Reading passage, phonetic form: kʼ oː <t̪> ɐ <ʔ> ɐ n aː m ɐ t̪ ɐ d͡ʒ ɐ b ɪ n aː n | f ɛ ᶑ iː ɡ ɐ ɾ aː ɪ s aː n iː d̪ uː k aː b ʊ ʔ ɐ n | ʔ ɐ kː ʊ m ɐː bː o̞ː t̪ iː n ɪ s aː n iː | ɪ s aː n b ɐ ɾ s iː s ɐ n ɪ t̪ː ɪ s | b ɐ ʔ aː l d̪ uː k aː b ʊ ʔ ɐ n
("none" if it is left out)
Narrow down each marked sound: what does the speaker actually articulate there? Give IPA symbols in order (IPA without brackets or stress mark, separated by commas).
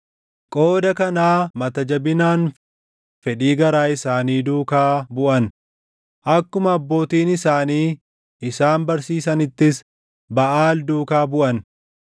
d̪, k